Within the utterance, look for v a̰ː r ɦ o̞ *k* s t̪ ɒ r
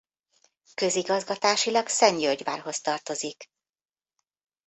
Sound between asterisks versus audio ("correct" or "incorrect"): incorrect